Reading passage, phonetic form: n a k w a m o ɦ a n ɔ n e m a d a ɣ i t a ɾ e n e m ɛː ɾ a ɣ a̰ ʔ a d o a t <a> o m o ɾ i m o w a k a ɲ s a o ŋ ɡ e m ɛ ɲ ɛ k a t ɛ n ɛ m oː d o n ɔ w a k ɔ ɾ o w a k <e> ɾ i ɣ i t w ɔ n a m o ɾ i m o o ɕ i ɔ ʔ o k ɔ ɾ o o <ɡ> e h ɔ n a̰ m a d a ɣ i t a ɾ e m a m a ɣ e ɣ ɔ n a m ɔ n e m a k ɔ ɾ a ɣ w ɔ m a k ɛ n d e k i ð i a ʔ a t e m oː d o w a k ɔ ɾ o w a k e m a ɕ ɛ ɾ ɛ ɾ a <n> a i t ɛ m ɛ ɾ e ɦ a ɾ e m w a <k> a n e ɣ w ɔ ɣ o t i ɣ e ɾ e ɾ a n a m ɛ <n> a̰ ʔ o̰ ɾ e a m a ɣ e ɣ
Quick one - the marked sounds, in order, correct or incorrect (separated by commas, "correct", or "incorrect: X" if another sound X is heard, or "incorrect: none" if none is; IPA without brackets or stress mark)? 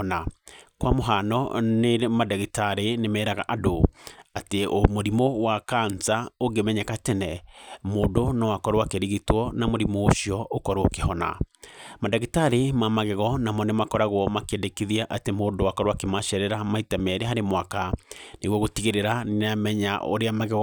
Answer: incorrect: e, correct, incorrect: k, incorrect: m, correct, incorrect: ɲ